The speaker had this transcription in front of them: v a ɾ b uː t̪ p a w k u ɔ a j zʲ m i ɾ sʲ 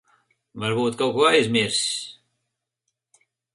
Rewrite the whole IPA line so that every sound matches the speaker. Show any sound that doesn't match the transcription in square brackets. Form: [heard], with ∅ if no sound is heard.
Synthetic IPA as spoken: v a ɾ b uː t̪ [k] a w k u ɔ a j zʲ m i ɾ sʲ